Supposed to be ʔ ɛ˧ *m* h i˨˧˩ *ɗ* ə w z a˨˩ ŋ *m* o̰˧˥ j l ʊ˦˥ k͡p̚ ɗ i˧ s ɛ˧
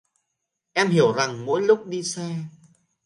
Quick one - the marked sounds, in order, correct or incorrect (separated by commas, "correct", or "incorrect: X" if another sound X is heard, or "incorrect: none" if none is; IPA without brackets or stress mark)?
correct, incorrect: none, correct